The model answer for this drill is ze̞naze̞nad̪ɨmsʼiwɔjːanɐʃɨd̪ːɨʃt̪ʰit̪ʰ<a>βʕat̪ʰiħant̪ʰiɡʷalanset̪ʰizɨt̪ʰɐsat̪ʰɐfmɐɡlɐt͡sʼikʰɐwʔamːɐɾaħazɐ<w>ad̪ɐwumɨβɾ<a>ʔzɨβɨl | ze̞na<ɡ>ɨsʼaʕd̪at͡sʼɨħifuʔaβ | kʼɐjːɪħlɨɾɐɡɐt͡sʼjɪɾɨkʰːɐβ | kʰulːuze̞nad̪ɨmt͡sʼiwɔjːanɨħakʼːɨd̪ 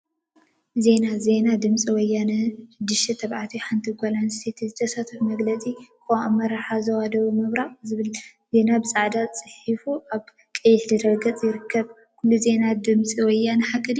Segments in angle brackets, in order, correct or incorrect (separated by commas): incorrect, correct, correct, incorrect